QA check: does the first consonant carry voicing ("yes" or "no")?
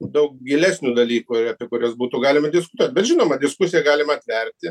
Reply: yes